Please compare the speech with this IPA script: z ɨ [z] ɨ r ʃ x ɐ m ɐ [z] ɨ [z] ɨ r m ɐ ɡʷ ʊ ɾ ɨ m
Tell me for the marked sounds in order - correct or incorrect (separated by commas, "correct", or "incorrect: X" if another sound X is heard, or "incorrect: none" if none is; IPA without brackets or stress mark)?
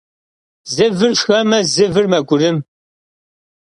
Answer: incorrect: v, correct, incorrect: v